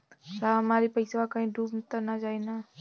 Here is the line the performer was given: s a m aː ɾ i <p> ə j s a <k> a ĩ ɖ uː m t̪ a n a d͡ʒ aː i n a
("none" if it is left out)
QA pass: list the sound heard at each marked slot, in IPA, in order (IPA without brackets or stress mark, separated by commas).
p, k